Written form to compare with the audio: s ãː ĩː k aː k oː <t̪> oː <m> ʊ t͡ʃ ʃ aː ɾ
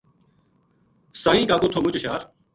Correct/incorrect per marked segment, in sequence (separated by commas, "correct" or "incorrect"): incorrect, correct